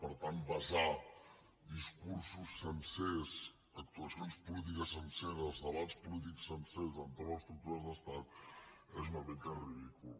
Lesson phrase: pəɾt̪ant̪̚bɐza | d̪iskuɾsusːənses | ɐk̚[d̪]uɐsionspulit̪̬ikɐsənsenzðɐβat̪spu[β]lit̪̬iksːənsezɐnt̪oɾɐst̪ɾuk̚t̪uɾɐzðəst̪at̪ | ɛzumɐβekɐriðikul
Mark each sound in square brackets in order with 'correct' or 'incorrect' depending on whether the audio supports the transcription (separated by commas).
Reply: incorrect, incorrect